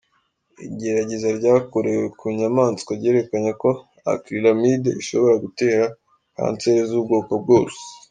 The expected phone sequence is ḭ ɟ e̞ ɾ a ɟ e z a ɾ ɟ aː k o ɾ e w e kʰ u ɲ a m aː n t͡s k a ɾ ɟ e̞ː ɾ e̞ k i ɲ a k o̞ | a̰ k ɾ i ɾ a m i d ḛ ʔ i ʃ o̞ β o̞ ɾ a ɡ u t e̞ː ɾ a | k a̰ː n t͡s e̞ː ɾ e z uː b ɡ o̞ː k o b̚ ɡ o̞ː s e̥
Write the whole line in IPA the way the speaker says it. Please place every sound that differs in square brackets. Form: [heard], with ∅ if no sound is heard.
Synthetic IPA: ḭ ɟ e̞ ɾ a ɟ e z a ɾ ɟ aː k o ɾ e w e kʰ u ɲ a m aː n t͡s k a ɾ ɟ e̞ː ɾ e̞ k [a] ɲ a k o̞ | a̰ k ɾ i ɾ a m i d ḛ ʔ i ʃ o̞ β o̞ ɾ a ɡ u t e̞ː ɾ a | k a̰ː n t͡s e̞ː ɾ e z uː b ɡ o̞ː k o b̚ ɡ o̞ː s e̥